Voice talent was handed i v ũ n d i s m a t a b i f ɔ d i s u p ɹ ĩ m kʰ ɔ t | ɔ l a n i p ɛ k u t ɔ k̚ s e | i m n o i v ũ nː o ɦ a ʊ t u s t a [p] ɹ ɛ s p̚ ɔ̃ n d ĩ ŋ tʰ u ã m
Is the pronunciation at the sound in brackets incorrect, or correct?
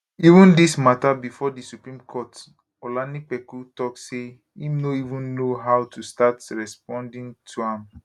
incorrect: t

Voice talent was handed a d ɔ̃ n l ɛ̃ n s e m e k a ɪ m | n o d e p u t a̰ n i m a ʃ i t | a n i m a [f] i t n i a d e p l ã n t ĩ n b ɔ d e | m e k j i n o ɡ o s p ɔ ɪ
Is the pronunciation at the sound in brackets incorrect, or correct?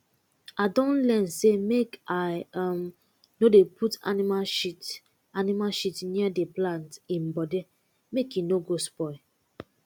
incorrect: ʃ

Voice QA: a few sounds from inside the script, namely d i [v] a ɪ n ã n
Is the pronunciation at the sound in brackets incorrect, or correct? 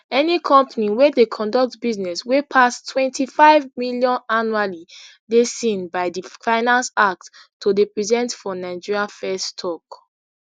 incorrect: f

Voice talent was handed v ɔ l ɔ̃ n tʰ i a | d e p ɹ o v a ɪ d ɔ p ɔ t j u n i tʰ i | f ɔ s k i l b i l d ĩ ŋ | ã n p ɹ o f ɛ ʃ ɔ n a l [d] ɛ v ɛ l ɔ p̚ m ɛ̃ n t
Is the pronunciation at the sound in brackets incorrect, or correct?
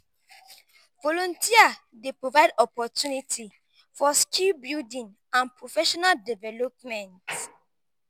correct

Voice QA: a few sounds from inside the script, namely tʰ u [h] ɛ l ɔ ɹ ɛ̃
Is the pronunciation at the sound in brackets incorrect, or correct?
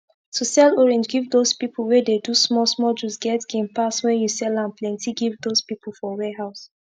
incorrect: s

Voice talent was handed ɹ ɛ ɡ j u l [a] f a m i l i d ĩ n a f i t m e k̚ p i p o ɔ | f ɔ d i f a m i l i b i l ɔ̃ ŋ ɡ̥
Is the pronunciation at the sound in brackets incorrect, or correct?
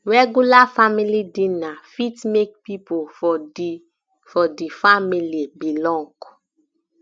correct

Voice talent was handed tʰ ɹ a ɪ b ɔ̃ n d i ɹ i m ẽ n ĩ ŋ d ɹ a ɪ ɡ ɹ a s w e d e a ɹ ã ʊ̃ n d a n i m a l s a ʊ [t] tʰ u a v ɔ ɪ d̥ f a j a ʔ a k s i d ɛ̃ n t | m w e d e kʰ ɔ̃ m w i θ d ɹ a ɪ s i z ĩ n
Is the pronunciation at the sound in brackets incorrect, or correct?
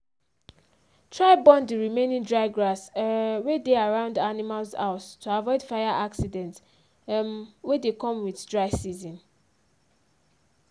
incorrect: s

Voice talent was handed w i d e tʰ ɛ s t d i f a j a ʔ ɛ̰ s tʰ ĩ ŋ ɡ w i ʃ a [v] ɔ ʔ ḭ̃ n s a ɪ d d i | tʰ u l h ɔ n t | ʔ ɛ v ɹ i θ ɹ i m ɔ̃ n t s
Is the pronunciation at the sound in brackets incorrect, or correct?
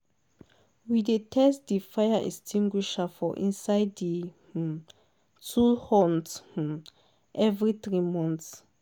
incorrect: f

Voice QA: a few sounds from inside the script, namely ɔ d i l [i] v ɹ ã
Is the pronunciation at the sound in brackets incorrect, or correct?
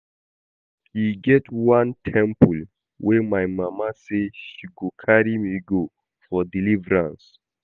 correct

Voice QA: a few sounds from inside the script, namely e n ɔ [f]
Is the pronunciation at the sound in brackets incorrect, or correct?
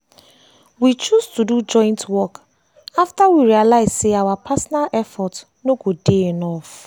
correct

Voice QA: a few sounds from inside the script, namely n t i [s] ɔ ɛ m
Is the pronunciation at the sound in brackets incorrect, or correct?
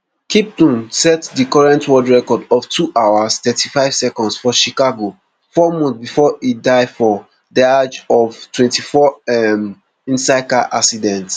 incorrect: f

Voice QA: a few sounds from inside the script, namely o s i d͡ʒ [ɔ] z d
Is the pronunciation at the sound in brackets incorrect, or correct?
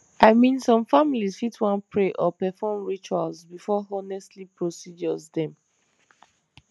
correct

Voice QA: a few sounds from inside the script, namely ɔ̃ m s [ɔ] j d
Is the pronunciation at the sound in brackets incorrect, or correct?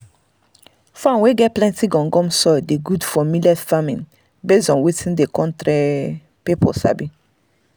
correct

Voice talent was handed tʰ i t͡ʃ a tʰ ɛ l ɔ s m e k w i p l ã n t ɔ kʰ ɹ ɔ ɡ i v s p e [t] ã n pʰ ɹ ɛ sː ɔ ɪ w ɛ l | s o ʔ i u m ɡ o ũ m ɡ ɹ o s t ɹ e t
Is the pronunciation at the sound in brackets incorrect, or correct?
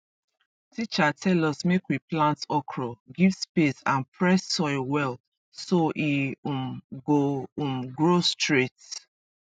incorrect: s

